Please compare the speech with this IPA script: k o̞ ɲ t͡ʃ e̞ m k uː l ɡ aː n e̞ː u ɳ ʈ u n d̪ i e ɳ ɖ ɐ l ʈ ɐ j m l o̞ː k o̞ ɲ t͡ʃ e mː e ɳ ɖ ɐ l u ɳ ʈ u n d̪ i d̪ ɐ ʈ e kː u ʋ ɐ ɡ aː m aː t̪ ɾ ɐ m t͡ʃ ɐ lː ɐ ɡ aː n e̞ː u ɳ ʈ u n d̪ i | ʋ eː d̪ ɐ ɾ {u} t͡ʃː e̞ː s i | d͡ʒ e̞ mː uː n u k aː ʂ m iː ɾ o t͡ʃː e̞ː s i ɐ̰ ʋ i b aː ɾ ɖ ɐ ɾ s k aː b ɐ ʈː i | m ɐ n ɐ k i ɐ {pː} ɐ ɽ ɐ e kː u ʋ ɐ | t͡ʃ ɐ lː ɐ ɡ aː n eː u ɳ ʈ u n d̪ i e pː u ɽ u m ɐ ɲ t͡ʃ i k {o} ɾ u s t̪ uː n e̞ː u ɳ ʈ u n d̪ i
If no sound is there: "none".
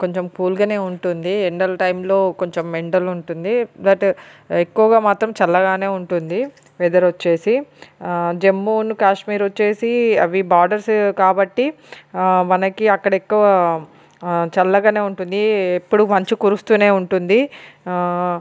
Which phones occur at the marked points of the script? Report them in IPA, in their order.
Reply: o, kː, u

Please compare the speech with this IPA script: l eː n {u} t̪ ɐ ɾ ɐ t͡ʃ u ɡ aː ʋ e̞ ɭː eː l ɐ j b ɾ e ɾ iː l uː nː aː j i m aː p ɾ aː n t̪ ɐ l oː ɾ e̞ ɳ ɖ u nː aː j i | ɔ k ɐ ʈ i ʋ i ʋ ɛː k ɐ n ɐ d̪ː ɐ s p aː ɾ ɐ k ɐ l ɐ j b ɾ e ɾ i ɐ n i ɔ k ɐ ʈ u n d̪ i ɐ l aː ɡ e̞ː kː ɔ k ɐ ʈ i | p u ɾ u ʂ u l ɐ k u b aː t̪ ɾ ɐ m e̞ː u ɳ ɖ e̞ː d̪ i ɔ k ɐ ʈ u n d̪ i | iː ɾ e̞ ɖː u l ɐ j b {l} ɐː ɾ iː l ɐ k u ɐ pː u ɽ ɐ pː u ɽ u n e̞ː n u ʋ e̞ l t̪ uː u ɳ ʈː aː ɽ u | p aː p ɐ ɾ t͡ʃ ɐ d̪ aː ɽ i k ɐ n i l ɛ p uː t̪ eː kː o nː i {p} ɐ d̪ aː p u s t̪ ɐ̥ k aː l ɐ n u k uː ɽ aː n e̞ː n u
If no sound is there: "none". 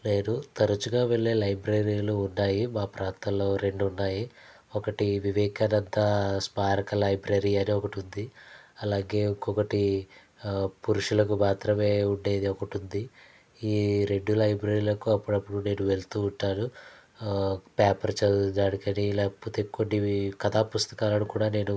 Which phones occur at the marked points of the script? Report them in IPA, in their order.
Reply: u, ɾ, k

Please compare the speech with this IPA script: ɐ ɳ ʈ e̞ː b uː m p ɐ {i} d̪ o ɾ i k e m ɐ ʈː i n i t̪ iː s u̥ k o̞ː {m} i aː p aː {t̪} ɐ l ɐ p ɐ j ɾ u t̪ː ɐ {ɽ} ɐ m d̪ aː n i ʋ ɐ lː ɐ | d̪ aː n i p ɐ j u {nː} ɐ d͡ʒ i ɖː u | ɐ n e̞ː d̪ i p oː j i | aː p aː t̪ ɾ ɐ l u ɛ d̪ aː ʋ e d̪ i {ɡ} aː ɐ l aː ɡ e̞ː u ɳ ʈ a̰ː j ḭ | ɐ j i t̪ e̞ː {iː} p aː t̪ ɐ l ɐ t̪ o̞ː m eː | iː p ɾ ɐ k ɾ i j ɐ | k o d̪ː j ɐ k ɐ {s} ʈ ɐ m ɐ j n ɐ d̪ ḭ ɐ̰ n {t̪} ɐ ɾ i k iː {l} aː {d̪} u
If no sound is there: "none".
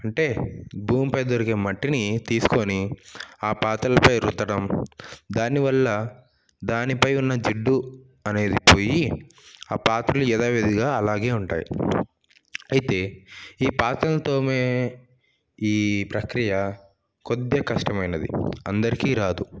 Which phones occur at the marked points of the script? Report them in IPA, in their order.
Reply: j, n, t̪, ɽ, nː, ɡ, iː, ʂ, d̪, ɾ, d̪

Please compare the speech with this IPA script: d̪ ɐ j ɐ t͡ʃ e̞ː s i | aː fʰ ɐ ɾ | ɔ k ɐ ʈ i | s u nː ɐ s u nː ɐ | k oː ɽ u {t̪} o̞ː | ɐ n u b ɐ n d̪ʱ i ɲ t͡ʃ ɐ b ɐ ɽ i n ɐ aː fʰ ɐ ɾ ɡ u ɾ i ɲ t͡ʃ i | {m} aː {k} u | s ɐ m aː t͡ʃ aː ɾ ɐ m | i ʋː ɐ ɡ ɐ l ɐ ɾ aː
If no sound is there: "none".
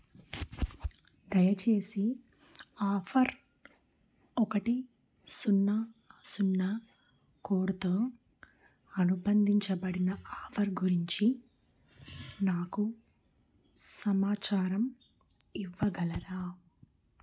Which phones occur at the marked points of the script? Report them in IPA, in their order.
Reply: t̪, n, k

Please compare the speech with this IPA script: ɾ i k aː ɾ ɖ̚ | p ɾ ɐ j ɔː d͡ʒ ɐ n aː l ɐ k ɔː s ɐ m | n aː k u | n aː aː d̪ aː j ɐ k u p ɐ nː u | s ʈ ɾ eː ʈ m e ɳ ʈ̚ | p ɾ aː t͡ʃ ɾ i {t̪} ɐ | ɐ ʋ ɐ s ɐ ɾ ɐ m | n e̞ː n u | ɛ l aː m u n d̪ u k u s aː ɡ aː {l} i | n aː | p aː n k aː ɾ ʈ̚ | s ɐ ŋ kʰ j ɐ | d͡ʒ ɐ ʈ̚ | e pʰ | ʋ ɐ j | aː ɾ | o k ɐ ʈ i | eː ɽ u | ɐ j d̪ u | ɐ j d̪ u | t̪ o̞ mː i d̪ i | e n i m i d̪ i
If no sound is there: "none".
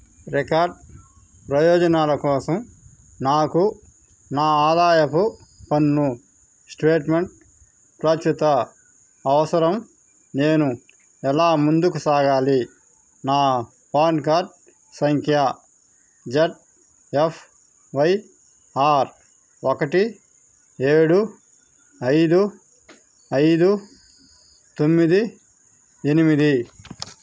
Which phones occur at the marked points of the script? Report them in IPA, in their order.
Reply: t̪, l

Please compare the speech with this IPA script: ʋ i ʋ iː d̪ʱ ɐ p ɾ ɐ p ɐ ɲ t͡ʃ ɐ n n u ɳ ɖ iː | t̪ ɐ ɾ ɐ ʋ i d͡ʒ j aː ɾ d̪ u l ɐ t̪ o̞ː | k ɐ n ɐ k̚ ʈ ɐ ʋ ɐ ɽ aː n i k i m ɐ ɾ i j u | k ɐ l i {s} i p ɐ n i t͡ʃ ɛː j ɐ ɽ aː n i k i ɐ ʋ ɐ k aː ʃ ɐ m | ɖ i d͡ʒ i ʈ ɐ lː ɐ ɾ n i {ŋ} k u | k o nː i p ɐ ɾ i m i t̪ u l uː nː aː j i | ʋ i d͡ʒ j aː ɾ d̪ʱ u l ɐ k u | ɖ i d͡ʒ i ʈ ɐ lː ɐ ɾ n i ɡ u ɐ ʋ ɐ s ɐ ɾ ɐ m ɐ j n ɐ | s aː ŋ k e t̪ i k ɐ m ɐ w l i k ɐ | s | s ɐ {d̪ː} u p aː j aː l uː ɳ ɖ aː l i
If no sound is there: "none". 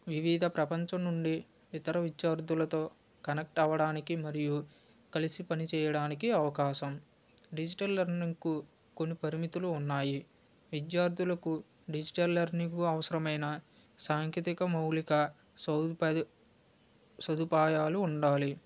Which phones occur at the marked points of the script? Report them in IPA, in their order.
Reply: s, ŋ, d̪

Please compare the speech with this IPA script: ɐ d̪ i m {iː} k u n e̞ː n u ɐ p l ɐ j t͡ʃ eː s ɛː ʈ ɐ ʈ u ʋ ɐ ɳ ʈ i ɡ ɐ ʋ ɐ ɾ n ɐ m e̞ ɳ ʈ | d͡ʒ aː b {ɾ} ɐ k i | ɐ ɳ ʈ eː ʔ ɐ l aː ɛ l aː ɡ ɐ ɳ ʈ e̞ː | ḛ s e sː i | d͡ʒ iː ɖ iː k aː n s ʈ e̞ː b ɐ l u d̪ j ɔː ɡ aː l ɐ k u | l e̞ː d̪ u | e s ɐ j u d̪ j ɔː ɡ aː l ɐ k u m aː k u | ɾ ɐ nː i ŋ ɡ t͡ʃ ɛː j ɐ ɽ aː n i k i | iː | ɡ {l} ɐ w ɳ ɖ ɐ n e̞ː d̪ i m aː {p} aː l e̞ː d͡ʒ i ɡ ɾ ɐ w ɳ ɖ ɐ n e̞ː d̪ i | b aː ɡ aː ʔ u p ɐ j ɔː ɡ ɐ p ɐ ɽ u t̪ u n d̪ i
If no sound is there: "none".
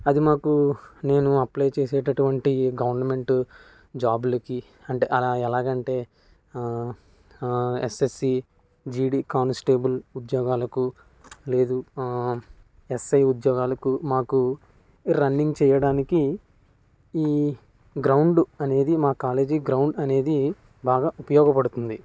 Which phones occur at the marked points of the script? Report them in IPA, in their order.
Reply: aː, l, ɾ, k

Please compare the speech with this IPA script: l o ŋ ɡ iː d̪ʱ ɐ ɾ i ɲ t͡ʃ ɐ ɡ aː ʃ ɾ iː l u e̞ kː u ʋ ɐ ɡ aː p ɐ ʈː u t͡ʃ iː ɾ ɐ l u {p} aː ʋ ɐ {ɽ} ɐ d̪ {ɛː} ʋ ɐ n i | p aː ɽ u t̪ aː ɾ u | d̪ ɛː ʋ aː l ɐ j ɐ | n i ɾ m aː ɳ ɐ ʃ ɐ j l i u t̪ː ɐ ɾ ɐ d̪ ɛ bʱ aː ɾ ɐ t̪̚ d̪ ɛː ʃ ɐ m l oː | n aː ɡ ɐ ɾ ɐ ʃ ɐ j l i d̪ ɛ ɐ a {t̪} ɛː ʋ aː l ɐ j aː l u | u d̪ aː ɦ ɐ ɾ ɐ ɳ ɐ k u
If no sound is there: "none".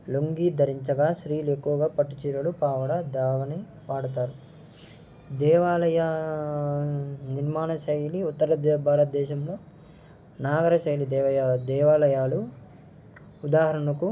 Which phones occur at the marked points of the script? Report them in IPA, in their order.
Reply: p, ɽ, aː, d̪

